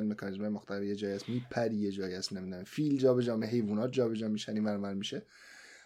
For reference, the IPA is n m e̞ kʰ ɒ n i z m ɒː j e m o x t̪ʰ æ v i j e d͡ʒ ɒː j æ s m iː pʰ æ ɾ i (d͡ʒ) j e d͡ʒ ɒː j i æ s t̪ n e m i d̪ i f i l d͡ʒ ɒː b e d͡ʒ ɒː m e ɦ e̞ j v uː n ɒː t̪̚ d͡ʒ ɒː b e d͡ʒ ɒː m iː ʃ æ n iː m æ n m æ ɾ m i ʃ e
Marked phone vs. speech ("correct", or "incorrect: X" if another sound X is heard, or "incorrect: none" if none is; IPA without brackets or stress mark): incorrect: none